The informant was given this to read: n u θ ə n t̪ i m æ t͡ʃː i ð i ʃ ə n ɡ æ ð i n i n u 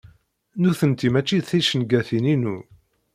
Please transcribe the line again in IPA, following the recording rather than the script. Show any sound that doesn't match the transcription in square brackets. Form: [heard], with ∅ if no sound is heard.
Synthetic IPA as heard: n u θ ə n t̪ i m æ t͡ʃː i [θ] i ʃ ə n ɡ æ [θ] i n i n u